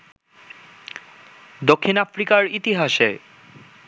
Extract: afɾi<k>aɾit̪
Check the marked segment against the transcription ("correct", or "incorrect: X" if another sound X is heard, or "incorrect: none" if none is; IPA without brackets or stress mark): correct